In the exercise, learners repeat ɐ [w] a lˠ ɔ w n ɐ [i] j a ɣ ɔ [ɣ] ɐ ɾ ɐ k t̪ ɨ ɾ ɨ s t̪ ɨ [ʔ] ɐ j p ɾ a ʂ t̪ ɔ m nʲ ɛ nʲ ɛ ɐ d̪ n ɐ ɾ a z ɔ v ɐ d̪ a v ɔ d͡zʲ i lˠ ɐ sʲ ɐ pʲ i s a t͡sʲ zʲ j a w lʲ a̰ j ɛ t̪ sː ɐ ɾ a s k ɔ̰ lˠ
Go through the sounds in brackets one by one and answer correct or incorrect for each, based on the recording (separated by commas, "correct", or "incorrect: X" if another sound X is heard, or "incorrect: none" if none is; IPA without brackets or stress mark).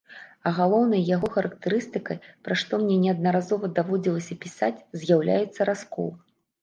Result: incorrect: ɣ, incorrect: j, incorrect: x, incorrect: k